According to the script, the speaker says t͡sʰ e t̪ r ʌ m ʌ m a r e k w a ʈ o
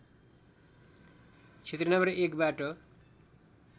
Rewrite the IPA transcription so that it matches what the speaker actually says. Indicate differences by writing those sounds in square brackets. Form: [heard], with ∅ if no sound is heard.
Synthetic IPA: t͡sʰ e t̪ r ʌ [n] ʌ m [ʌ] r e k [b] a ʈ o